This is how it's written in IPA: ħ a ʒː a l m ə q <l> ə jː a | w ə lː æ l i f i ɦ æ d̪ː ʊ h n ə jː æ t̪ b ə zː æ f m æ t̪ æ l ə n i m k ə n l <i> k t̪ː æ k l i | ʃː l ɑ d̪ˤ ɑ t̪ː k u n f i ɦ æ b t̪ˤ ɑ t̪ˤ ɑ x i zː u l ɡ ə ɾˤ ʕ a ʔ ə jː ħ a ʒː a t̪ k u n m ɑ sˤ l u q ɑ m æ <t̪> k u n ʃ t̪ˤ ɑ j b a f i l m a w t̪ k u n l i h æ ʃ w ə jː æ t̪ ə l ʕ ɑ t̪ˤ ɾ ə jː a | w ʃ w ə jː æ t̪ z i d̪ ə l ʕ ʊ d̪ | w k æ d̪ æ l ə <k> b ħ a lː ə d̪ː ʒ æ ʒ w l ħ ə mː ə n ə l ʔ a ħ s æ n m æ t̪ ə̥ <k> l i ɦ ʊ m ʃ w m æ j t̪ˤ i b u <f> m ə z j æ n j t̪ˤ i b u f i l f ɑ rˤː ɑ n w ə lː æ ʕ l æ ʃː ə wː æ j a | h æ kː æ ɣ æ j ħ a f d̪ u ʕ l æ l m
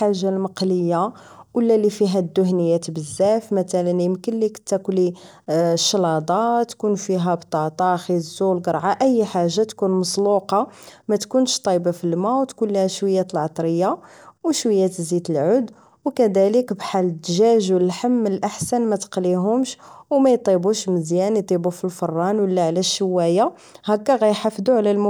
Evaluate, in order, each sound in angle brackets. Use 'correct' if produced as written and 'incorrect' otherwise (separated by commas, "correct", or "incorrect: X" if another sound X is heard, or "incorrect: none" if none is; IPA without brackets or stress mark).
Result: correct, correct, correct, correct, incorrect: q, incorrect: ʃ